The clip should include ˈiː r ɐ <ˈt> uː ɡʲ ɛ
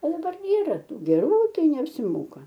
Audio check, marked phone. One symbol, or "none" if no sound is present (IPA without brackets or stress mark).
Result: t